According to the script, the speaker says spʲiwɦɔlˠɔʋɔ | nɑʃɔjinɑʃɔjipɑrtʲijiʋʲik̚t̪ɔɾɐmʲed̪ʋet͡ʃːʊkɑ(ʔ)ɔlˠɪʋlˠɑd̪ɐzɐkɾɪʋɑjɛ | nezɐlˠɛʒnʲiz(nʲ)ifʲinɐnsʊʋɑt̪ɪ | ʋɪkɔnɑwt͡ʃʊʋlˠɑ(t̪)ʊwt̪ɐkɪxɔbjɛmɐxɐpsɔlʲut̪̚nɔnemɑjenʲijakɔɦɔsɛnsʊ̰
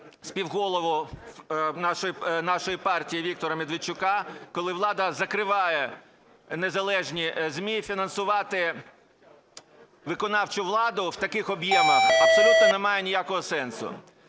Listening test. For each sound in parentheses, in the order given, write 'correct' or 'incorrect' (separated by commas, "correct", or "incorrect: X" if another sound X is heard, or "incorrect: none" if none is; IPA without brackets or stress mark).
incorrect: k, incorrect: mʲ, incorrect: d̪